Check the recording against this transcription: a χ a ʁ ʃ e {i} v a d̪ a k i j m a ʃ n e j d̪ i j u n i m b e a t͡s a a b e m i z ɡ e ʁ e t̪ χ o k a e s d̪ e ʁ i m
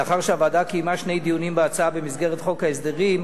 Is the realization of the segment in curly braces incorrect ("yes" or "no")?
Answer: yes